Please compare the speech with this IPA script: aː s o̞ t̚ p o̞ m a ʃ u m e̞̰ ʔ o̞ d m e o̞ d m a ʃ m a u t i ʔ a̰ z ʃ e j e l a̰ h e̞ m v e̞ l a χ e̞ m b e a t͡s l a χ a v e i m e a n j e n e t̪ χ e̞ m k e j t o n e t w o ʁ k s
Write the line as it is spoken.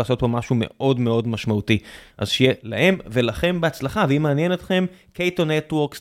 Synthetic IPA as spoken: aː s o̞ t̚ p o̞ m a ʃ u m e̞̰ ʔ o̞ d m e o̞ d m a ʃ m a u t i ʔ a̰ z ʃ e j e l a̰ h e̞ m v e̞ l a χ e̞ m b e a t͡s l a χ a v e i m e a n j e n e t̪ χ e̞ m k e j t o n e t w o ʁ k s